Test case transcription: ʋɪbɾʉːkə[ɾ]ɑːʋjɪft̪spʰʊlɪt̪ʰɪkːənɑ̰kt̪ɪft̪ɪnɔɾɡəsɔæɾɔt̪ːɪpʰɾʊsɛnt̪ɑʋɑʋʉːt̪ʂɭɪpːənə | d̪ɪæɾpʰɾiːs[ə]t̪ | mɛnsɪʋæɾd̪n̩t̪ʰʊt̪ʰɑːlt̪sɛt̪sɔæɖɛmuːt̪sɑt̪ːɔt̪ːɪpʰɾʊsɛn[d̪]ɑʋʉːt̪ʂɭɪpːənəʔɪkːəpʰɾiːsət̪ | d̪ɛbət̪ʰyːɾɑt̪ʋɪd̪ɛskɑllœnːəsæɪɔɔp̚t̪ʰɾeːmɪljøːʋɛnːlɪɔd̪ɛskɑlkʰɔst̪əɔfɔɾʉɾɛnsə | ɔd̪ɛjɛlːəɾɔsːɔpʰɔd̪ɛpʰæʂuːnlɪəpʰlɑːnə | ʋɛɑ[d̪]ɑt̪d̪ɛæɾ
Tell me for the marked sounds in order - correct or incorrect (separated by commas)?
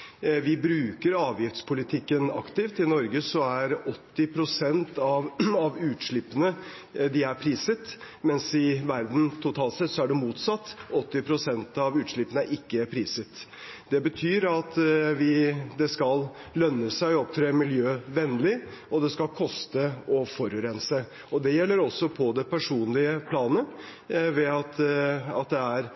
correct, correct, incorrect, incorrect